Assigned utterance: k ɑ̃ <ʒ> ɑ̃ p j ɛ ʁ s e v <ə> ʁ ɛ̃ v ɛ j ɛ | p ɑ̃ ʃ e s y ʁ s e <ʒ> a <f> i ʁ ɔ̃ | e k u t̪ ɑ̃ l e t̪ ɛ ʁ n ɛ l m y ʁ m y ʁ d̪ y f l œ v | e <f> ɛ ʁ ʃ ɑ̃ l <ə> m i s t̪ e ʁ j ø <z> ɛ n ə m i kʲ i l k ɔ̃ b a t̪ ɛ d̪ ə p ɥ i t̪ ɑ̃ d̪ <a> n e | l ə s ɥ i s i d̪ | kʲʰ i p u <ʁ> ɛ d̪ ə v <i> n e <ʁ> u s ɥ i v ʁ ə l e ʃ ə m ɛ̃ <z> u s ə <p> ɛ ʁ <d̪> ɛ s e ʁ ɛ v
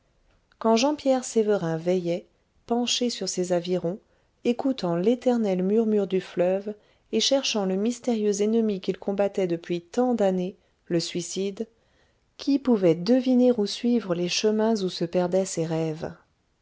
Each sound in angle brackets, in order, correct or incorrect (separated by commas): correct, correct, incorrect, incorrect, incorrect, correct, correct, correct, incorrect, correct, correct, correct, correct, correct